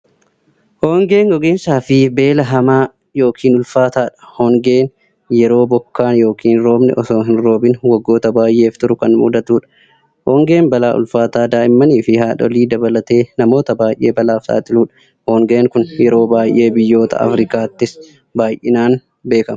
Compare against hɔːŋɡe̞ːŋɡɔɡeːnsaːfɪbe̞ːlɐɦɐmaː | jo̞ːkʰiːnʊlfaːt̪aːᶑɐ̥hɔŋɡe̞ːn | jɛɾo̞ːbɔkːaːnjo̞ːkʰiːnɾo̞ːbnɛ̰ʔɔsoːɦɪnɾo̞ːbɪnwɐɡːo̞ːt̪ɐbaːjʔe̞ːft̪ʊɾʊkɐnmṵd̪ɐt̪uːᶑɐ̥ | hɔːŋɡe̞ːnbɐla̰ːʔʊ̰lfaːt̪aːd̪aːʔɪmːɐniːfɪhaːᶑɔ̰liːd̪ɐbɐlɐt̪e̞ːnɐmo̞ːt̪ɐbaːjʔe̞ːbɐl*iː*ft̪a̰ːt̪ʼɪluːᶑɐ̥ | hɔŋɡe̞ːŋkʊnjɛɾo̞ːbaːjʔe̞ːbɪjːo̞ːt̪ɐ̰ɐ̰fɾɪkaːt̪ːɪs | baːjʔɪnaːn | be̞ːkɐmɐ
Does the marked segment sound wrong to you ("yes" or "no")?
yes